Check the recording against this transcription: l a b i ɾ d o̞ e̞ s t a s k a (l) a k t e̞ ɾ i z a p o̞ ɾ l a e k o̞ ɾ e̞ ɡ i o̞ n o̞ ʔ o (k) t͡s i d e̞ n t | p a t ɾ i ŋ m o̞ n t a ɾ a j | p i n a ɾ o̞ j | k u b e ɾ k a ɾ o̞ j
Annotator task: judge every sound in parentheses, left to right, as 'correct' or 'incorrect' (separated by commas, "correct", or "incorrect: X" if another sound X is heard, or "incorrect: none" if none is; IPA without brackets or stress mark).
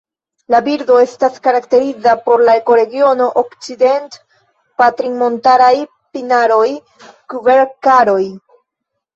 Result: incorrect: ɾ, correct